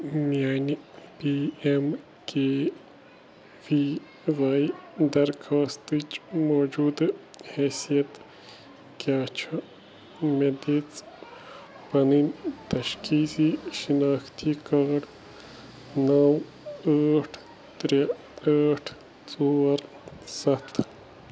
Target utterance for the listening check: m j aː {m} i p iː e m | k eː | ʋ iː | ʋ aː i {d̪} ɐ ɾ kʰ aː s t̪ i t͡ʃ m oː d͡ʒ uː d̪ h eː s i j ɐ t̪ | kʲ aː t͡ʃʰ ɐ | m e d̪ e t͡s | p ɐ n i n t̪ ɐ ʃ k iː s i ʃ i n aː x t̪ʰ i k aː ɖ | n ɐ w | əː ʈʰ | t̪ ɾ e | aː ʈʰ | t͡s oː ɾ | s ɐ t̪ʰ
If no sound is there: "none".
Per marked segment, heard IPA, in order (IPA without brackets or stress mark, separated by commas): n, d̪